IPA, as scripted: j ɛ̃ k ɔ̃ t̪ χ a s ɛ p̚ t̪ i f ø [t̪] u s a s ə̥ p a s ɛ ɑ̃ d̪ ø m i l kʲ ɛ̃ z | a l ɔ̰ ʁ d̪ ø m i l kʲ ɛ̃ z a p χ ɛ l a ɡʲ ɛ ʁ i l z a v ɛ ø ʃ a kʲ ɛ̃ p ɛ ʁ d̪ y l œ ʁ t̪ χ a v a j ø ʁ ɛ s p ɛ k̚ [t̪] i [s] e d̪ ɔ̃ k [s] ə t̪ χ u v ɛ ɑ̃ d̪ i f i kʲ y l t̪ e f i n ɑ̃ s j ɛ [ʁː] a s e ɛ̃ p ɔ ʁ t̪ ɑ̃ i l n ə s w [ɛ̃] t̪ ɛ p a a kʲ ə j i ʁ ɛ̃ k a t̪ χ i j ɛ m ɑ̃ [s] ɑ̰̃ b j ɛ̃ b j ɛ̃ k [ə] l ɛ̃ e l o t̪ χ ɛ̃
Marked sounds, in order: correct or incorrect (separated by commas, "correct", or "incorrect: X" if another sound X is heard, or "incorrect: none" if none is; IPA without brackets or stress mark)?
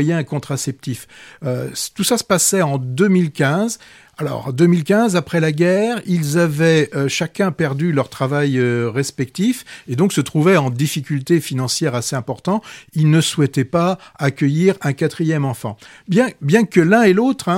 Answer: correct, correct, incorrect: f, correct, incorrect: ʁ, incorrect: ɛ, incorrect: f, correct